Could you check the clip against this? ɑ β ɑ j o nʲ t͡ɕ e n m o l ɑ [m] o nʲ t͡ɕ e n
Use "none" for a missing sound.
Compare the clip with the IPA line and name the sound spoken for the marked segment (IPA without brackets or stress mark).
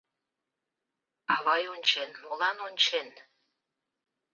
n